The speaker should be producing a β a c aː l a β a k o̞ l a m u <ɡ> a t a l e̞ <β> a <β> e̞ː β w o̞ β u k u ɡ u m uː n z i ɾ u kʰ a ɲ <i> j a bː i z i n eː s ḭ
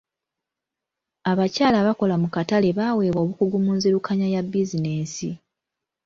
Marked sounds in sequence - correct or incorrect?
incorrect, correct, incorrect, incorrect

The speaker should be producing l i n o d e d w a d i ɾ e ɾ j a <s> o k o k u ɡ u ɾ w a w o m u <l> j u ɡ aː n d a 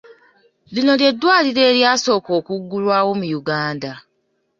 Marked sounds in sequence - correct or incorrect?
correct, incorrect

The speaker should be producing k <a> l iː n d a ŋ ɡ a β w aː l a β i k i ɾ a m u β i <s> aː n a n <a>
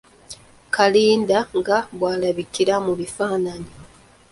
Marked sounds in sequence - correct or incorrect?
correct, incorrect, incorrect

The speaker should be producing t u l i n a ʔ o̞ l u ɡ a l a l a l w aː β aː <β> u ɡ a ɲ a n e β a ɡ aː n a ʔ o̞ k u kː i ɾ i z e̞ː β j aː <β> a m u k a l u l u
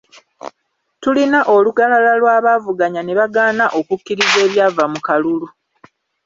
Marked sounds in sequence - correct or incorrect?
incorrect, incorrect

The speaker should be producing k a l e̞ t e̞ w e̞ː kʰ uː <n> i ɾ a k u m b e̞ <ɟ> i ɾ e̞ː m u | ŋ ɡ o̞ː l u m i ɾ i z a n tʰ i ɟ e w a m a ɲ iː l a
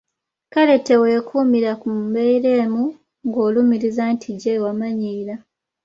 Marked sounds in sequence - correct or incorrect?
incorrect, incorrect

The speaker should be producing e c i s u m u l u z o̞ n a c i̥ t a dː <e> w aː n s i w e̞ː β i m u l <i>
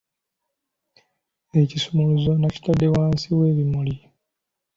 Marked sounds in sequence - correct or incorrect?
correct, correct

